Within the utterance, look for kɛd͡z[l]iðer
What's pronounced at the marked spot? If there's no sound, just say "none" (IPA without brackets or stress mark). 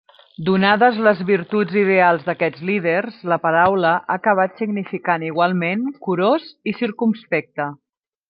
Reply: l